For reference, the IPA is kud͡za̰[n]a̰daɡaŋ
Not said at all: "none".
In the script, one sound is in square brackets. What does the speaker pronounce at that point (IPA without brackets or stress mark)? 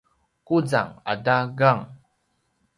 ŋ